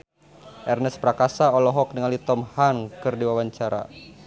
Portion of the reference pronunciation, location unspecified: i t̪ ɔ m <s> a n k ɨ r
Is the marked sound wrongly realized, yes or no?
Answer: yes